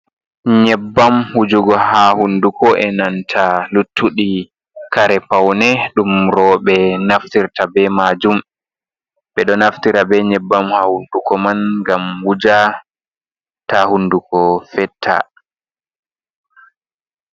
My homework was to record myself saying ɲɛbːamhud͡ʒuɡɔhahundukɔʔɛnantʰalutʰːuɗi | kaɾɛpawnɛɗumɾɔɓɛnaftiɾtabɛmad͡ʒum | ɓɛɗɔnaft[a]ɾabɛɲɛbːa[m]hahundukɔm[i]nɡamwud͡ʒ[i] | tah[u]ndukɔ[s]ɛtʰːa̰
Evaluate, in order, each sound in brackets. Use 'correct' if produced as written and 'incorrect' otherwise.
incorrect, correct, incorrect, incorrect, correct, incorrect

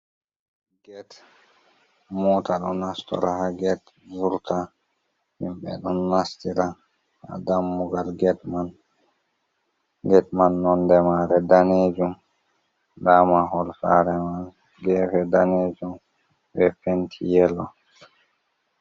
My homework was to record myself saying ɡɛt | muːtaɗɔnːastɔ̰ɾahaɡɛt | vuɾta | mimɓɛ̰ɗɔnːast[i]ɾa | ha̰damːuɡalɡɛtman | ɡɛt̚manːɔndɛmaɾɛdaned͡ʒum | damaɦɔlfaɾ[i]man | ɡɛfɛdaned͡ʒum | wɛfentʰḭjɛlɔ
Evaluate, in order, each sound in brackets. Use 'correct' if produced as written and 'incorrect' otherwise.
correct, incorrect

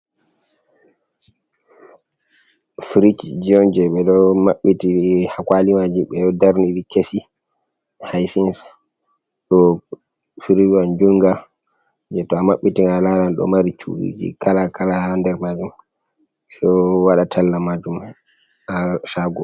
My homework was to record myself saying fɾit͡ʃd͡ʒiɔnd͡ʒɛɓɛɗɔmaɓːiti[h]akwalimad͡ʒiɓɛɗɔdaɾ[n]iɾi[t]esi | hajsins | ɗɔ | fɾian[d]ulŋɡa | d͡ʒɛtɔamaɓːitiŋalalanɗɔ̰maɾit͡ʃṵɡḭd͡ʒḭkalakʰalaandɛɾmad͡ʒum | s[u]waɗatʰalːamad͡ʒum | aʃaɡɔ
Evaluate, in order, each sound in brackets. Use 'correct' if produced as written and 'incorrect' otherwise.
correct, correct, incorrect, incorrect, incorrect

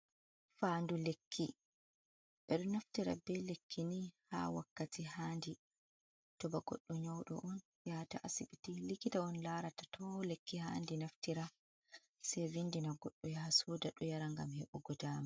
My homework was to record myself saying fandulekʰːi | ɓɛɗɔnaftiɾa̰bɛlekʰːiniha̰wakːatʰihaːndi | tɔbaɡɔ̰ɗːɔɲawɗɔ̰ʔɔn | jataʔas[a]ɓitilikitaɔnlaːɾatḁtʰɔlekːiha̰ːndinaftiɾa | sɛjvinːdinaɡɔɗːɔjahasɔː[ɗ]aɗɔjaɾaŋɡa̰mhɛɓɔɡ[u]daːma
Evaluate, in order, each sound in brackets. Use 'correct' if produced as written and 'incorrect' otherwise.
incorrect, incorrect, incorrect

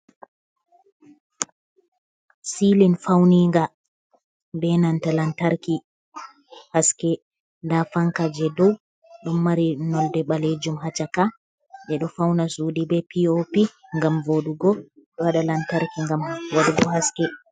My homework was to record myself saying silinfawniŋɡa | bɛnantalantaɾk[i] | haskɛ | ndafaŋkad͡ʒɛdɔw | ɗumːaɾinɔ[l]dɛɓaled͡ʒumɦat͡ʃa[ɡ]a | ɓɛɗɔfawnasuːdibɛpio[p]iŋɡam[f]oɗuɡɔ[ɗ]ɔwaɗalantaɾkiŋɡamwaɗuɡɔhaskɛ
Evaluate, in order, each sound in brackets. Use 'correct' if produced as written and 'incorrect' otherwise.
correct, correct, incorrect, correct, incorrect, correct

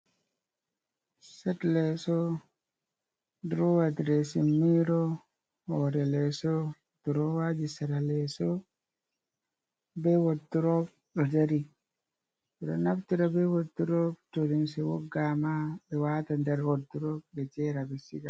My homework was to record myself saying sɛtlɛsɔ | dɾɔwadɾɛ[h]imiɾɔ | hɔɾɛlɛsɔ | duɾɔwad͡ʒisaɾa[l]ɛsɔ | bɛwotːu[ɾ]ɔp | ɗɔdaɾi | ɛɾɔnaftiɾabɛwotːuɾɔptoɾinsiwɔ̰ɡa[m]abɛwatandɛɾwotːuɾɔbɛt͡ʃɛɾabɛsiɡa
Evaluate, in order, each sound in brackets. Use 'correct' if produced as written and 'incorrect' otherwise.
incorrect, correct, correct, correct

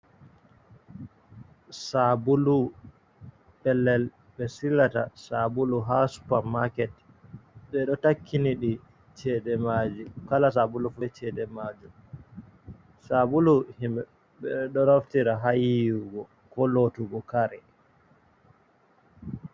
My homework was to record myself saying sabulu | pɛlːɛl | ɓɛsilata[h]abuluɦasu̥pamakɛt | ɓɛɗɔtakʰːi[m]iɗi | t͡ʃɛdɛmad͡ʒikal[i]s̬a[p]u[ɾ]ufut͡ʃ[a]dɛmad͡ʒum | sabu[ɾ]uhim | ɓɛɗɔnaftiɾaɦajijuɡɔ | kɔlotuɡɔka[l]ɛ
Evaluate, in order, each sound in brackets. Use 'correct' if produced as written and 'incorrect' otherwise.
incorrect, incorrect, incorrect, incorrect, incorrect, incorrect, incorrect, incorrect

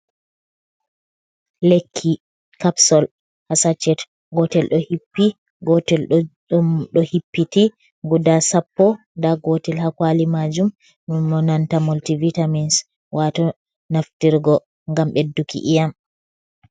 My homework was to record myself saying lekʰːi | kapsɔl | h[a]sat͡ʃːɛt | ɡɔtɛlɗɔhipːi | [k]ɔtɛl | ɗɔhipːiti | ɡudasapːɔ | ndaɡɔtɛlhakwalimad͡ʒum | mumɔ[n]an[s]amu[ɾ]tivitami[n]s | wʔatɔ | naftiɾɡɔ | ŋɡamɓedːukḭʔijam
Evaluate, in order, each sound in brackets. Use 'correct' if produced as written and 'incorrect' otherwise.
correct, incorrect, correct, incorrect, incorrect, correct

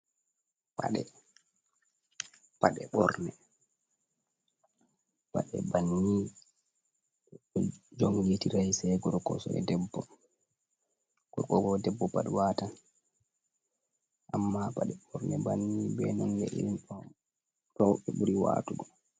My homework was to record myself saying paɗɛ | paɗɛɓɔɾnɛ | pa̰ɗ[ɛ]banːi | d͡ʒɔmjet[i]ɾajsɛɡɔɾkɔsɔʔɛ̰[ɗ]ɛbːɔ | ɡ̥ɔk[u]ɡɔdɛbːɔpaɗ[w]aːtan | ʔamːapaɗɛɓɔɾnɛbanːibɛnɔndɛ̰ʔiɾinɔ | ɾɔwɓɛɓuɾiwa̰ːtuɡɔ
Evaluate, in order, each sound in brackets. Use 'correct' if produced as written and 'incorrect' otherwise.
correct, correct, incorrect, incorrect, correct

